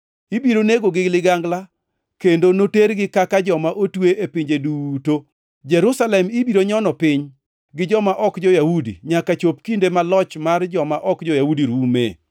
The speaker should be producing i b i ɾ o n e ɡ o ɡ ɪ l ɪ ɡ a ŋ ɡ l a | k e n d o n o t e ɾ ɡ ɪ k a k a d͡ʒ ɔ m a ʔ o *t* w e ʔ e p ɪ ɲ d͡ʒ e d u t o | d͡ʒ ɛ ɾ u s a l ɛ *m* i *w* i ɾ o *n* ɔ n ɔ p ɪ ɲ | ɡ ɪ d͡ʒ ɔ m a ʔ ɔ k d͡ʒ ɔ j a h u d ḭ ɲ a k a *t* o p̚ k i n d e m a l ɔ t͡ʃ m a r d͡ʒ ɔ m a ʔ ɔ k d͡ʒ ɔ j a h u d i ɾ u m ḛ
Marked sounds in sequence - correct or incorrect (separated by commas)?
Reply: correct, correct, incorrect, incorrect, incorrect